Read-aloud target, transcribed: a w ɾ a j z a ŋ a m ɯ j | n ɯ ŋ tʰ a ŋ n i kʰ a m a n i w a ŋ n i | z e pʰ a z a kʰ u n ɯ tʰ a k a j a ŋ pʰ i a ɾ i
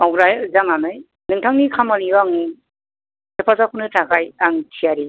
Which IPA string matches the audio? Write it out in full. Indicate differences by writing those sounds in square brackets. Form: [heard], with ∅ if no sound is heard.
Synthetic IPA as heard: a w ɾ a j z a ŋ a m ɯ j | n ɯ ŋ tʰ a ŋ n i kʰ a m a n i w a ŋ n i | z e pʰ a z a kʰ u n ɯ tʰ a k a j a ŋ [tʰ] i a ɾ i